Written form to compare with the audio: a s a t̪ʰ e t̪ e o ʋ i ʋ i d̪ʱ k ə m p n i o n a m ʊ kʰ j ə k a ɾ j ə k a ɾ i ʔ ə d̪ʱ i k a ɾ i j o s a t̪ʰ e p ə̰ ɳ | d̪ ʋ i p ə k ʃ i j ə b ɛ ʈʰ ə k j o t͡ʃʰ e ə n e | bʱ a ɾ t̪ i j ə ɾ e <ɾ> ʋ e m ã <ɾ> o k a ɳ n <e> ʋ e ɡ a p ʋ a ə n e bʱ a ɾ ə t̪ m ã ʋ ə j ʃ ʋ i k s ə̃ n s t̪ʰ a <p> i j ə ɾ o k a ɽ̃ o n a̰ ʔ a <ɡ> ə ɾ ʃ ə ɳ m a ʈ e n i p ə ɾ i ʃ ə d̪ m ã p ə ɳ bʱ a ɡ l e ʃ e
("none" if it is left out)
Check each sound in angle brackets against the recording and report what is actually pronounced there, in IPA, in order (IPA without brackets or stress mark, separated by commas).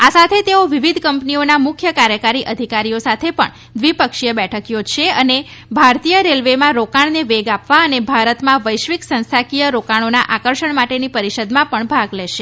l, ɾ, e, k, k